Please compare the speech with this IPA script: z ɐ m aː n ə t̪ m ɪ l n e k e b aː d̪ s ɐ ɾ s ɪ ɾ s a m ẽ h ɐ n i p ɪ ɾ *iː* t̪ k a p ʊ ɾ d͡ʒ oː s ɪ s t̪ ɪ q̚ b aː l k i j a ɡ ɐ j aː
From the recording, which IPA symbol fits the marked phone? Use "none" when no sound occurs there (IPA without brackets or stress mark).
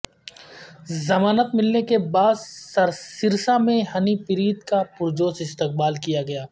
iː